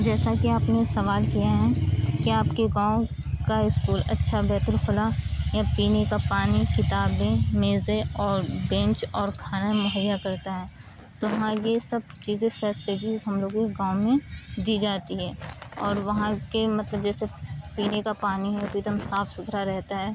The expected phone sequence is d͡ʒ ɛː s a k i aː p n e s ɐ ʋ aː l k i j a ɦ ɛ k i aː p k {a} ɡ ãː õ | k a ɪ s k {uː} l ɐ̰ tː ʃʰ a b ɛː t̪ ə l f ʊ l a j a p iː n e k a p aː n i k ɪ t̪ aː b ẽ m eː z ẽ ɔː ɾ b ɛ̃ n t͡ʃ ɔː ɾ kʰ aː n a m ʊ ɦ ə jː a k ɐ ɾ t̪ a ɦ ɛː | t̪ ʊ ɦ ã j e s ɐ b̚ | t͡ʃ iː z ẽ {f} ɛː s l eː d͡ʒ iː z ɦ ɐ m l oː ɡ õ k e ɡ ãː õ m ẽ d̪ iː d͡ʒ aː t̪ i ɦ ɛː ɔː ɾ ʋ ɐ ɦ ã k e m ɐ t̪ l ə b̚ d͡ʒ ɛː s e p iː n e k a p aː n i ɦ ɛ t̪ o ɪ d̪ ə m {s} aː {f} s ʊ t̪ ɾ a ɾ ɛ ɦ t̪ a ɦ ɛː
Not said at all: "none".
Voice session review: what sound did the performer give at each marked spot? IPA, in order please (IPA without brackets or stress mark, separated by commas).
e, uː, f, s, f